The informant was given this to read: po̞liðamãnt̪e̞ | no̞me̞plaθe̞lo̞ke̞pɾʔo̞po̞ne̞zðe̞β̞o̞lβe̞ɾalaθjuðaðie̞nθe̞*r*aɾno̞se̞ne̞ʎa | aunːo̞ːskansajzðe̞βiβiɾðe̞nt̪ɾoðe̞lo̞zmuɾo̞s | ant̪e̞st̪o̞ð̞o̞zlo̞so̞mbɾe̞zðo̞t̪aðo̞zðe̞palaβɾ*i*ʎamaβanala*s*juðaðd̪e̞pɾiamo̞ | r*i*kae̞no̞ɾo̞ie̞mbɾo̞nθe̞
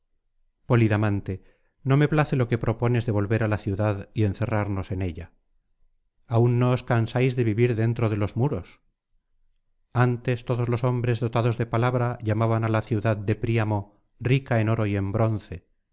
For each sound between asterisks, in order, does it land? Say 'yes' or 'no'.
yes, no, no, yes

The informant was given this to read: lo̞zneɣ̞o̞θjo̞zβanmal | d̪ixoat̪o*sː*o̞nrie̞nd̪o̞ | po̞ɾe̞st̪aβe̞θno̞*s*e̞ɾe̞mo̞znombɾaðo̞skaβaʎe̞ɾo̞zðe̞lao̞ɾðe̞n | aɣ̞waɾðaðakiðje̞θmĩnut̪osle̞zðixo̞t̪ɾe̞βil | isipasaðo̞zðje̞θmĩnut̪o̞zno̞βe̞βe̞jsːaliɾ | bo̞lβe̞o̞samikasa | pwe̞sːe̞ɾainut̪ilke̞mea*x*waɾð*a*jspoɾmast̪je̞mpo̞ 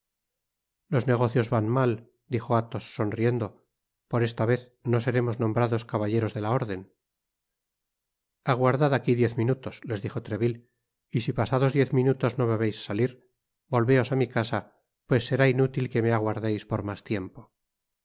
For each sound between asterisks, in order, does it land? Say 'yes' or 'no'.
yes, yes, no, no

